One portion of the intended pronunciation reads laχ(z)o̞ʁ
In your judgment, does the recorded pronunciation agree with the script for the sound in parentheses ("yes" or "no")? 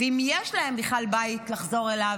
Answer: yes